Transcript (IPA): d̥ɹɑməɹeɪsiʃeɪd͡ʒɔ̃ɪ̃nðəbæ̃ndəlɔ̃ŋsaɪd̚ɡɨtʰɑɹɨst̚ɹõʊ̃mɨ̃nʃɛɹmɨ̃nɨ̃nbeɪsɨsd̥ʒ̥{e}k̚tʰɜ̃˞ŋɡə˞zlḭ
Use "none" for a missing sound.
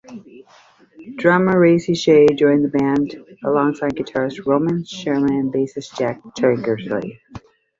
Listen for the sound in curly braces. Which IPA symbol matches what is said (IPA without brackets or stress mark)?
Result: æ